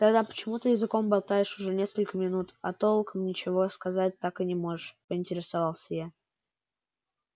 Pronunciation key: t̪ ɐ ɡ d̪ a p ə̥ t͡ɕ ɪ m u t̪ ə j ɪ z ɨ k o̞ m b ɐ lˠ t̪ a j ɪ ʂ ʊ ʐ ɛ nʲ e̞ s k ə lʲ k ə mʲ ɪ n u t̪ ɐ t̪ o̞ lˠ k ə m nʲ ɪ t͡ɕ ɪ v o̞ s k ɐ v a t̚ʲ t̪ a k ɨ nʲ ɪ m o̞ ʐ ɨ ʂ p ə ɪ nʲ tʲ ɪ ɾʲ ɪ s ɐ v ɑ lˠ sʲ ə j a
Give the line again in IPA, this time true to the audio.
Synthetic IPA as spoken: t̪ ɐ ɡ d̪ a p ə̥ t͡ɕ ɪ m u t̪ ə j ɪ z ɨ k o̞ m b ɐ lˠ t̪ a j ɪ ʂ ʊ ʐ ɛ nʲ e̞ s k ə lʲ k ə mʲ ɪ n u t̪ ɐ t̪ o̞ lˠ k ə m nʲ ɪ t͡ɕ ɪ v o̞ s k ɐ z a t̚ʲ t̪ a k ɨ nʲ ɪ m o̞ ʐ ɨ ʂ p ə ɪ nʲ tʲ ɪ ɾʲ ɪ s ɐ v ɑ lˠ sʲ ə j a